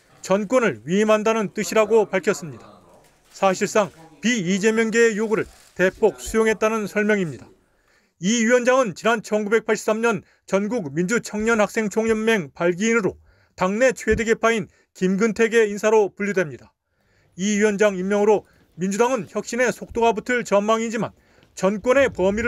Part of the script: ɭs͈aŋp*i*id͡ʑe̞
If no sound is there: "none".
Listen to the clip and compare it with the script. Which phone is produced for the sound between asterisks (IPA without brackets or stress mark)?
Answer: i